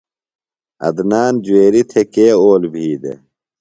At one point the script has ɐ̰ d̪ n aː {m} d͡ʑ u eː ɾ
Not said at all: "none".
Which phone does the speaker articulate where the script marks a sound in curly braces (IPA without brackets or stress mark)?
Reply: n